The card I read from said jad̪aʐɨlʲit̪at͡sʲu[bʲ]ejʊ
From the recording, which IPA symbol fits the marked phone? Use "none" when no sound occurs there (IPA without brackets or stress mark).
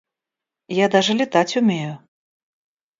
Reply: mʲ